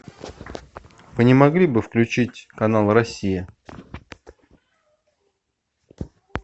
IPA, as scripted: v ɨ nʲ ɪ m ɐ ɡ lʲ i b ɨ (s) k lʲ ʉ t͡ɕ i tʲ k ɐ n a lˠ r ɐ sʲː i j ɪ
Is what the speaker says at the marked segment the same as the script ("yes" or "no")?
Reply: no